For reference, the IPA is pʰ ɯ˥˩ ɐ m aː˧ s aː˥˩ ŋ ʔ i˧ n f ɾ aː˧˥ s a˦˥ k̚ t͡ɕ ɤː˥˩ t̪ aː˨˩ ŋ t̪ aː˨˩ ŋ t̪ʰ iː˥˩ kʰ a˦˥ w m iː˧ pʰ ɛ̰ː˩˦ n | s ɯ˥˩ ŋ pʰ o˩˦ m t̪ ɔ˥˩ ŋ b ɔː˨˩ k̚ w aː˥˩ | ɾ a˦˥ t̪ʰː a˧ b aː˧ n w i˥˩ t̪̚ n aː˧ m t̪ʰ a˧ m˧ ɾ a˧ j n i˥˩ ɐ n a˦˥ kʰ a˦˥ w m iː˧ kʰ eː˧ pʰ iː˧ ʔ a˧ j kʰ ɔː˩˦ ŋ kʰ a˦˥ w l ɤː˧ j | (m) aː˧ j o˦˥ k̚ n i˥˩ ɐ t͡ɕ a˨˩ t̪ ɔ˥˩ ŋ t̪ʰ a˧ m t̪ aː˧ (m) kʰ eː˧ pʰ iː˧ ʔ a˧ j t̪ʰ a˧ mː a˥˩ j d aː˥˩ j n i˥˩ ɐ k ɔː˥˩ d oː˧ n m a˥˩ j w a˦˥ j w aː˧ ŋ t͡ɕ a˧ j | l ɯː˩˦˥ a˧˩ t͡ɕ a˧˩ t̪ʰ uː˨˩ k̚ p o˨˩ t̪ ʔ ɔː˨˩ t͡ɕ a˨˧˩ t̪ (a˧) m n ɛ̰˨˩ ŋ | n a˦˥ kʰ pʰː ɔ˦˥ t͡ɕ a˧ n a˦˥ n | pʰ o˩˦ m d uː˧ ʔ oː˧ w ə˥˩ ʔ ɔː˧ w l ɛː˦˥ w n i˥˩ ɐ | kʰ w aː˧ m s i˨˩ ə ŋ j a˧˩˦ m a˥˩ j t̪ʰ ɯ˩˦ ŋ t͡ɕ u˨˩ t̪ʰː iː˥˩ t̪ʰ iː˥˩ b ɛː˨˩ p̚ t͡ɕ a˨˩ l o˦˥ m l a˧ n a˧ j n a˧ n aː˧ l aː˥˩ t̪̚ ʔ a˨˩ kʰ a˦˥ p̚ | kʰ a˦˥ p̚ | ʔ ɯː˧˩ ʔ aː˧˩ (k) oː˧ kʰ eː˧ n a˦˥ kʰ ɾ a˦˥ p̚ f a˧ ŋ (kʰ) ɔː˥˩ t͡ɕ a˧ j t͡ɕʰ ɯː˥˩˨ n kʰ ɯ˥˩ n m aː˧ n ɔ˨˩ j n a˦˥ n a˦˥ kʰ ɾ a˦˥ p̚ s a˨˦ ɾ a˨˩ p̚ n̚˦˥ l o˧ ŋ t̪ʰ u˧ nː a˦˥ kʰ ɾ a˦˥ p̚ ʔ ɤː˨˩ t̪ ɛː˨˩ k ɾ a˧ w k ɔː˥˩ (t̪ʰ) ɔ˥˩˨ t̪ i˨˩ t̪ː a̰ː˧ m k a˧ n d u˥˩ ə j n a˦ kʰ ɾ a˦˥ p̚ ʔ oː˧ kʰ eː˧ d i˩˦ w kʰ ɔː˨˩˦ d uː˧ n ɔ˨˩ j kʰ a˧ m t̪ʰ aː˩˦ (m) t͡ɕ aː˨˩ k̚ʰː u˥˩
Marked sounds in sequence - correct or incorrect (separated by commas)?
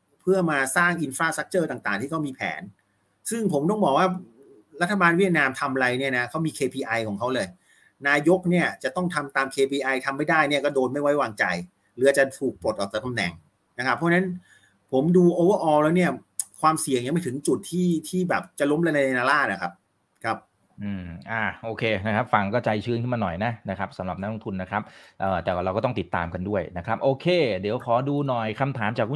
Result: incorrect, correct, correct, incorrect, incorrect, incorrect, correct